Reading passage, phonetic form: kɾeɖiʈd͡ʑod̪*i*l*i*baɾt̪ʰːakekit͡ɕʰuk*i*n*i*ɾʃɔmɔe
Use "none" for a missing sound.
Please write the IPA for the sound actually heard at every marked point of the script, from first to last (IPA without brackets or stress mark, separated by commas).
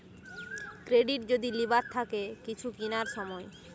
i, i, i, a